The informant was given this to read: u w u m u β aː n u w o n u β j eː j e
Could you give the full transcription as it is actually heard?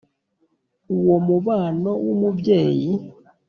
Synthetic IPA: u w o m u β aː n o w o m u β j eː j i

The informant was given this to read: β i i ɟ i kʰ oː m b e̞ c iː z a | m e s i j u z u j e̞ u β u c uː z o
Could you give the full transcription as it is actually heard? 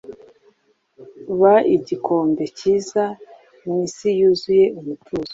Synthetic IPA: β a i ɟ i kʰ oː m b e̞ c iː z a | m i s i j u z u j e̞ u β u t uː z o

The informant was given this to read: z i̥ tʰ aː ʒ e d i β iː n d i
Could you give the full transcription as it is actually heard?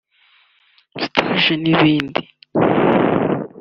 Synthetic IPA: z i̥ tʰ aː ʒ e n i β iː n d i

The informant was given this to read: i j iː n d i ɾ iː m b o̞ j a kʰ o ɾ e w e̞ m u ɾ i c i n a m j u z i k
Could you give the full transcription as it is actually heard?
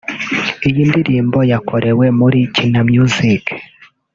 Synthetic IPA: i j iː n d i ɾ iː m b o̞ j a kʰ o ɾ e w e̞ m u ɾ i c i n a m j u z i k

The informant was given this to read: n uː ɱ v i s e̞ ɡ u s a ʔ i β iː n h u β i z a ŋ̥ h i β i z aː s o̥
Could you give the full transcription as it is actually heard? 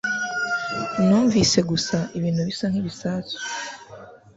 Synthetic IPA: n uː ɱ v i s e̞ ɡ u s a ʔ i β iː n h u β i s a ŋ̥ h i β i s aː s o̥

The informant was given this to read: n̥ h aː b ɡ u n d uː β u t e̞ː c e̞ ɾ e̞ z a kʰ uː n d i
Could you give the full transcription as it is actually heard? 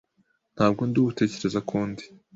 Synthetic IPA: n̥ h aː b ɡ o n d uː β u t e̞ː c e̞ ɾ e̞ z a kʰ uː n d i

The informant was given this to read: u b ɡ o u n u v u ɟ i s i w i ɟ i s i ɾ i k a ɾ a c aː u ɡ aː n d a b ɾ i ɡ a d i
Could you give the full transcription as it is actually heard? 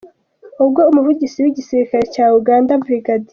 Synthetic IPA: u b ɡ o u m u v u ɟ i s i w i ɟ i s i ɾ i k a ɾ e c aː u ɡ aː n d a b ɾ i ɡ a d i

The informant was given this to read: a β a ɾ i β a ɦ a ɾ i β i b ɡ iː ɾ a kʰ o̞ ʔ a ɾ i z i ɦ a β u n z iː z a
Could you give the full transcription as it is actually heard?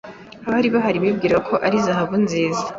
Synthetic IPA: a β a ɾ i β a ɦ a ɾ i β i b ɡ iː ɾ a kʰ o̞ ʔ a ɾ i z a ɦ a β u n z iː z a

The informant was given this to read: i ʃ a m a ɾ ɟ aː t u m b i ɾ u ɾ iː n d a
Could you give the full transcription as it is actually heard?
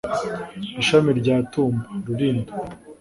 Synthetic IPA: i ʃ a m i ɾ ɟ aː t uː m b a ɾ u ɾ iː n d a

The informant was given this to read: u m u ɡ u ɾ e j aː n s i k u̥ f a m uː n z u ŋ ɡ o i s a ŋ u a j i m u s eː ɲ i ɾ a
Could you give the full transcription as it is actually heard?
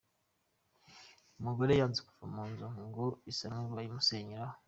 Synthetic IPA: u m u ɡ o ɾ e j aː n z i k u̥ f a m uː n z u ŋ ɡ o i s a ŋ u a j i m u s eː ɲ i ɾ a

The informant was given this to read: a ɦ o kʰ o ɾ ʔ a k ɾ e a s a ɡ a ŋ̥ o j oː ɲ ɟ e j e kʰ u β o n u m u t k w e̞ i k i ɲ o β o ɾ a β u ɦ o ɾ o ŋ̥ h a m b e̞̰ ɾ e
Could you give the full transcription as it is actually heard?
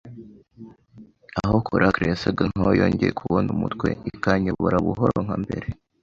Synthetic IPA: a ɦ o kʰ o ɾ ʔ a k ɾ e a s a ɡ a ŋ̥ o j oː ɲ ɟ e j e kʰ u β o n u m u t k w e̞ i k a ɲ o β o ɾ a β u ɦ o ɾ o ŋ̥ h a m b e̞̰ ɾ e

